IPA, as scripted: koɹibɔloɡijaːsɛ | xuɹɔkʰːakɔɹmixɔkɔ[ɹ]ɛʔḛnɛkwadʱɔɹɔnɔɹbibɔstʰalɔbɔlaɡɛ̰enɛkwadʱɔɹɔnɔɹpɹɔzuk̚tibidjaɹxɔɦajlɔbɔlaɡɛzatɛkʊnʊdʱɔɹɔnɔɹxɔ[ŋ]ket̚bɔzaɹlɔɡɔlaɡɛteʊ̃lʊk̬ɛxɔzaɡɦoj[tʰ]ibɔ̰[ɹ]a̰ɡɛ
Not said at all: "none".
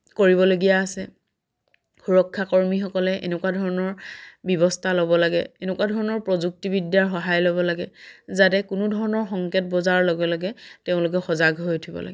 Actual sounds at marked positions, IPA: l, ŋ, tʰ, l

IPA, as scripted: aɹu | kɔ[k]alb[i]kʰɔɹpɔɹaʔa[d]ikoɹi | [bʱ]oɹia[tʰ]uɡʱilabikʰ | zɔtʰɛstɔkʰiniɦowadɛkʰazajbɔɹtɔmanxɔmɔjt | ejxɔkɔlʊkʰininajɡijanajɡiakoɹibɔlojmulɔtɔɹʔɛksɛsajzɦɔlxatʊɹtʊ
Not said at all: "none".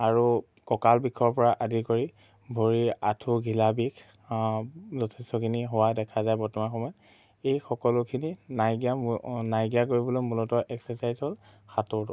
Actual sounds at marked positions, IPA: k, i, d, bʱ, tʰ

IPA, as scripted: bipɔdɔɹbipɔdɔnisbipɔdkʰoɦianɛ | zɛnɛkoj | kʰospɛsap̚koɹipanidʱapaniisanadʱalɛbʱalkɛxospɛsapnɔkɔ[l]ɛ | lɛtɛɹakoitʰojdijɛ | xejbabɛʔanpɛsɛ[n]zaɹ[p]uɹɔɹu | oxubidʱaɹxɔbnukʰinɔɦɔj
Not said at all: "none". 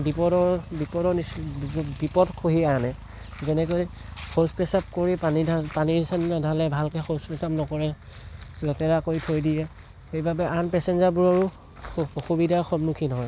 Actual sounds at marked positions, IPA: ɹ, n, b

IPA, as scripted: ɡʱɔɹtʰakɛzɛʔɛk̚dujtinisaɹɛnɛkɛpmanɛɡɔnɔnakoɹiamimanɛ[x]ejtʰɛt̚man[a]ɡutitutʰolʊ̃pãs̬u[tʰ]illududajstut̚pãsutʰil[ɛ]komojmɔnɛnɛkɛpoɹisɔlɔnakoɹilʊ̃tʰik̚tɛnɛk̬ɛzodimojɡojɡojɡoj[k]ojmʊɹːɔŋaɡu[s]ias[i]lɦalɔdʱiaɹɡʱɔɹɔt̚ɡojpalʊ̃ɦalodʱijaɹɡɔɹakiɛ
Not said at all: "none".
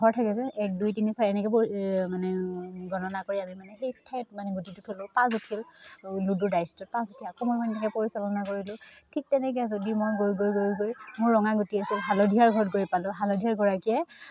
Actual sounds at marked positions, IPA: x, ɛ, tʰ, a, ɡ, t, i

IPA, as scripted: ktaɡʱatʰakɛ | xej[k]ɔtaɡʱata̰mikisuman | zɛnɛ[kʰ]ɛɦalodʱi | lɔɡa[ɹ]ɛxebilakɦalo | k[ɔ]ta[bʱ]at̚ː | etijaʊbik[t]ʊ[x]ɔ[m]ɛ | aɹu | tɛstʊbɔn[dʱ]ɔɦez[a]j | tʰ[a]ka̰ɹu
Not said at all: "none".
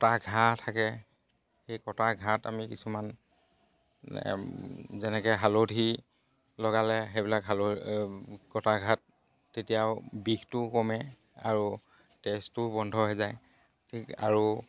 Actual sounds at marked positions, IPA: k, k, l, ɔ, ɡʱ, t, k, m, dʱ, a, i

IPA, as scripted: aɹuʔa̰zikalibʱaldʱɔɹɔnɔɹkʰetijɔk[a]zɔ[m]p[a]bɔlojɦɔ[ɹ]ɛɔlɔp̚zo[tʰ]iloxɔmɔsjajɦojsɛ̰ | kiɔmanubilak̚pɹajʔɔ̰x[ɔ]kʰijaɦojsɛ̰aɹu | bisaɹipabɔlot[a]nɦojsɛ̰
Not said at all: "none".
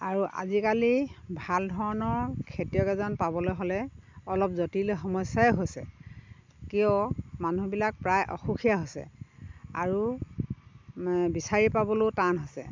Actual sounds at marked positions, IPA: ɛ, n, a, l, t, u, a

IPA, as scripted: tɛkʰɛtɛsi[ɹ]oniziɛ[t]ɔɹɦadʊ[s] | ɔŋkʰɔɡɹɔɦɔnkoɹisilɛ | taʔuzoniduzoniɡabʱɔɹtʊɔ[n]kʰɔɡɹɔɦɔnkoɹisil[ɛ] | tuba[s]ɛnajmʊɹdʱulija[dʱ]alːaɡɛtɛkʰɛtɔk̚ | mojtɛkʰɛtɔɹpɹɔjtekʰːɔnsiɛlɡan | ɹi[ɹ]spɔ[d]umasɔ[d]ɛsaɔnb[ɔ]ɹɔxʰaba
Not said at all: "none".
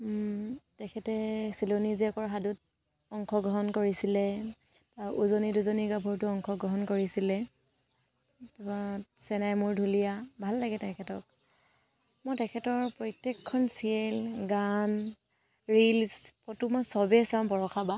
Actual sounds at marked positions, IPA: l, k, t, ŋ, ɛ, s, bʱ, l, t, b, ɔ

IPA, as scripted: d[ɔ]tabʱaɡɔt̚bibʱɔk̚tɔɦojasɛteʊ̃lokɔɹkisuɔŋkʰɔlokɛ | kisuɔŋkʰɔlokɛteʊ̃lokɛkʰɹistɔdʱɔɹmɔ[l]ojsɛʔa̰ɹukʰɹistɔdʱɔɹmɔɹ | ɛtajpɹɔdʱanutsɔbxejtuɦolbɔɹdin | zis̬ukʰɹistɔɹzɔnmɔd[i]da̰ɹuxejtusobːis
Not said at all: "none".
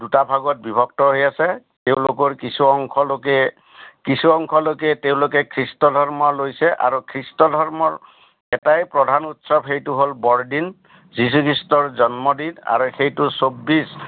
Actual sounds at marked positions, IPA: u, l, i

